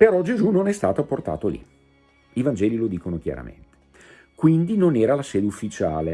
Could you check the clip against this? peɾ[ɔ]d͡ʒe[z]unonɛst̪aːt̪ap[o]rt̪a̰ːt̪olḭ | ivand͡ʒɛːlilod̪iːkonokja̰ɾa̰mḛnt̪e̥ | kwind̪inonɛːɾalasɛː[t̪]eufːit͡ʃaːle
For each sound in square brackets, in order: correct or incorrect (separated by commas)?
correct, correct, correct, incorrect